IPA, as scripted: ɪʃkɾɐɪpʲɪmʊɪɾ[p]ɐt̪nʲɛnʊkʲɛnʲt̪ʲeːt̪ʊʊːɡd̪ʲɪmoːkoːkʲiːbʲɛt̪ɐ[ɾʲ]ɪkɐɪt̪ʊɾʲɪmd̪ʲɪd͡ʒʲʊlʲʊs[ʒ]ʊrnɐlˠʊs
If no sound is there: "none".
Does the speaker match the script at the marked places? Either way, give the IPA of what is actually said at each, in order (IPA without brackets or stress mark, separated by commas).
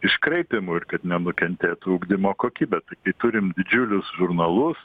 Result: k, none, ʒ